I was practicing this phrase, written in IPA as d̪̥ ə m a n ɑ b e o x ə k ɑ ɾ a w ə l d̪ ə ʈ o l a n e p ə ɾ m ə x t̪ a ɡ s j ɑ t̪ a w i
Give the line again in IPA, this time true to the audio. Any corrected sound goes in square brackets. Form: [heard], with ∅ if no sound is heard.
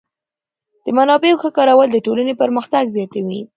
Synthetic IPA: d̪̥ ə m a n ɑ b e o x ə k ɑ ɾ a w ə l d̪ ə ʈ o l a n e p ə ɾ m ə x t̪ a ɡ [z] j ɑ t̪ a w i